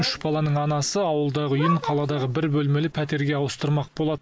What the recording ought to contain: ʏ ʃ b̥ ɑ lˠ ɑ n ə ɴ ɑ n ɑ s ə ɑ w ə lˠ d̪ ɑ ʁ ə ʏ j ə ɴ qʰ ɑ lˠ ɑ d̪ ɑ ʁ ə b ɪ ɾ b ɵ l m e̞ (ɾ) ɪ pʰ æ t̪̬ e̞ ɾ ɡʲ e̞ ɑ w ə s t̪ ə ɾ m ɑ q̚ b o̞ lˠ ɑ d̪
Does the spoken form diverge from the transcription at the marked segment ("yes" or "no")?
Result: yes